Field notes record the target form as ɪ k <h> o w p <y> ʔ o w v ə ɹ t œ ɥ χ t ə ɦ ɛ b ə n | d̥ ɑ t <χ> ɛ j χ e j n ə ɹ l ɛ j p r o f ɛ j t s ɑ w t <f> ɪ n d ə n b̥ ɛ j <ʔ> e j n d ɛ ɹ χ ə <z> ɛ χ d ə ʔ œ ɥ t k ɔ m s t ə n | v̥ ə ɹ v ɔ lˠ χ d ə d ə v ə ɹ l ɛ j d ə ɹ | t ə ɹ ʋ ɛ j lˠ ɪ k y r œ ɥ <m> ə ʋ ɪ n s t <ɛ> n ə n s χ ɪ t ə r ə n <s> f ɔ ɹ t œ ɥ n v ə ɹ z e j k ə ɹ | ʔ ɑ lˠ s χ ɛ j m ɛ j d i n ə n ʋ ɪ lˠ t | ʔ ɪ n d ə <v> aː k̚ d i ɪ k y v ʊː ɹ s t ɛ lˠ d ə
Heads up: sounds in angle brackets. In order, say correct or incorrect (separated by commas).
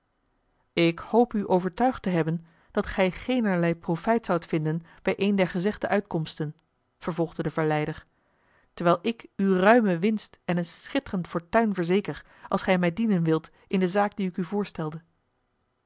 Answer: correct, correct, correct, correct, correct, correct, correct, correct, incorrect, incorrect